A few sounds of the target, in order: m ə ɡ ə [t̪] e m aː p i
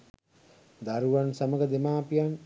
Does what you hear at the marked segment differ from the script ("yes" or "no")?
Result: yes